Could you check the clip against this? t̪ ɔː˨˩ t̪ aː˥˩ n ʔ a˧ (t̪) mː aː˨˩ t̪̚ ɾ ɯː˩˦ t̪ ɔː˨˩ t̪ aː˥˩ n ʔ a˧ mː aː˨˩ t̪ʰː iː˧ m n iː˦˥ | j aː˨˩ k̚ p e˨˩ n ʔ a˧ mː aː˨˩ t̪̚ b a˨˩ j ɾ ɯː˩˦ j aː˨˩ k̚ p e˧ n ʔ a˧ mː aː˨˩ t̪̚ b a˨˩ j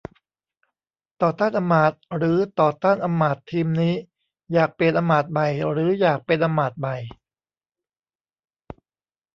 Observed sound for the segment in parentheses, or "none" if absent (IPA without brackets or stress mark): none